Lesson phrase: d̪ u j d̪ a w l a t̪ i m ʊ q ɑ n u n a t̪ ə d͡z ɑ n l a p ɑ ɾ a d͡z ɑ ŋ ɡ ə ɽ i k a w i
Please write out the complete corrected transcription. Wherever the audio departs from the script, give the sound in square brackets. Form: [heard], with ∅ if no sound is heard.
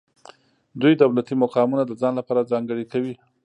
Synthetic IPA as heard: d̪ u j d̪ a w l a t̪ i m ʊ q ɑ [m] u n a [d̪] ə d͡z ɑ n l a p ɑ ɾ a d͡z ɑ ŋ ɡ ə ɽ i k a w i